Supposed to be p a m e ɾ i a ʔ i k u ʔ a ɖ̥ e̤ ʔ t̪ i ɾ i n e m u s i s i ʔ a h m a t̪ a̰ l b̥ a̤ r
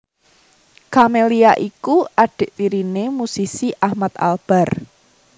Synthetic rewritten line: k a m e l i a ʔ i k u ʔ a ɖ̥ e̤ ʔ t̪ i ɾ i n e m u s i s i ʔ a h m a t̪ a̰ l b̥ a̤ r